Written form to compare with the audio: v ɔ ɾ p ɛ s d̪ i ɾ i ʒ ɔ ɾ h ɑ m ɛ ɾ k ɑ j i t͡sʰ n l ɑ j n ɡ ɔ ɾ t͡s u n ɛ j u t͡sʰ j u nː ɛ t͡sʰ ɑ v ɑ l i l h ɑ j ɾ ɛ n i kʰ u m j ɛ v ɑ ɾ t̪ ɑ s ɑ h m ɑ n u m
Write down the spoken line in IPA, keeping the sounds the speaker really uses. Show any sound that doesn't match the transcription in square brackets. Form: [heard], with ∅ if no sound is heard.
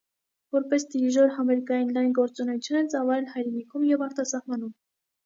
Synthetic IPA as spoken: v ɔ ɾ p ɛ s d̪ i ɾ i ʒ ɔ ɾ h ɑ m ɛ ɾ k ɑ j i [∅] n l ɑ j n ɡ ɔ ɾ t͡s u n ɛ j u t͡sʰ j u [n] ɛ [t͡s] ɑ v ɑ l [ɛ] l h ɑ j ɾ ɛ n i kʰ u m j ɛ v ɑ ɾ t̪ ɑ s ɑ h m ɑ n u m